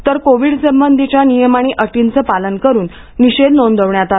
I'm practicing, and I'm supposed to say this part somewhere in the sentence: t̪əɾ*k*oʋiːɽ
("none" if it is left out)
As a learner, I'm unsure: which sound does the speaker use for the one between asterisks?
k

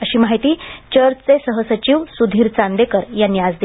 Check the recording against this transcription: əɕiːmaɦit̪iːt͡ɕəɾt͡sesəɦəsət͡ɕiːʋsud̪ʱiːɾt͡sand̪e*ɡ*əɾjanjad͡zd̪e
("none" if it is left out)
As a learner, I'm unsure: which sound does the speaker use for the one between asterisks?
k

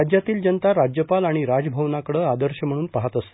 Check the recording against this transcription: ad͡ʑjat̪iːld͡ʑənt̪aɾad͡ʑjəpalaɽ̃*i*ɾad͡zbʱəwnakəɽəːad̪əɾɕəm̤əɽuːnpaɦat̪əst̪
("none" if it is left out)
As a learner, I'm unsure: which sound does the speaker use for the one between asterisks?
i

